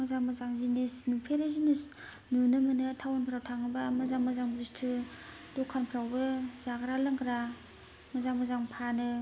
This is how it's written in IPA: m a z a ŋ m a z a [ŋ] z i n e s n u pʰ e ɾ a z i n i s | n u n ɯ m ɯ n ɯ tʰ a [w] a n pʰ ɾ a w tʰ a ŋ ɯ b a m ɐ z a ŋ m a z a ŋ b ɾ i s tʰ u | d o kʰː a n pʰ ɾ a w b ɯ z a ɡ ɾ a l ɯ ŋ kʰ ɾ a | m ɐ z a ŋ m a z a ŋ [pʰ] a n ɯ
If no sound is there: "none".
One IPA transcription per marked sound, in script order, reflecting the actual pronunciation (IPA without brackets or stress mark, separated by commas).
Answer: ŋ, w, pʰ